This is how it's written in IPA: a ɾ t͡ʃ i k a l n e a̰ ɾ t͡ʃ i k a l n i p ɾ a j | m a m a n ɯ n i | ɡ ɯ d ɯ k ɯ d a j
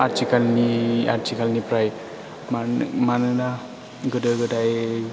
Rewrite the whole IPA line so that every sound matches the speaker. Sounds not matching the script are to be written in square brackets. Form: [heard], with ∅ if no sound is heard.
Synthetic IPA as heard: a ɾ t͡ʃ i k a l n [i] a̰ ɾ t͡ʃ i k a l n i p ɾ a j | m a m a n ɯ n [a] | ɡ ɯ d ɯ [ɡ] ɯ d a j